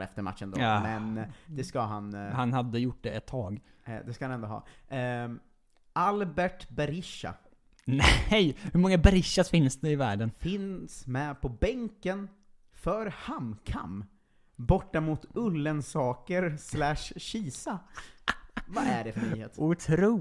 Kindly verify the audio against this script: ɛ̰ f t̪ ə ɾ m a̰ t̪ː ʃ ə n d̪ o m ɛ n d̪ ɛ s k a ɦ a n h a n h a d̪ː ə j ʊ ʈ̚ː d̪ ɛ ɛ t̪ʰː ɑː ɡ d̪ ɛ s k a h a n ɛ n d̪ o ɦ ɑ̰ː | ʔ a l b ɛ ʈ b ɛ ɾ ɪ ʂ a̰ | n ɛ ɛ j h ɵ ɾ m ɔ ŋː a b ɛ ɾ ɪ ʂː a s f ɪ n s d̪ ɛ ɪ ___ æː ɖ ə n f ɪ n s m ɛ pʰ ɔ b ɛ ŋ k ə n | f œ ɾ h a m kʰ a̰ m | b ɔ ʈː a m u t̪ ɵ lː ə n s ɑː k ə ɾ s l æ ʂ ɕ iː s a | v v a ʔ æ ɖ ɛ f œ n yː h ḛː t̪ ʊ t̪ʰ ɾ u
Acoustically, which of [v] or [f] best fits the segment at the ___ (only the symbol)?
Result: v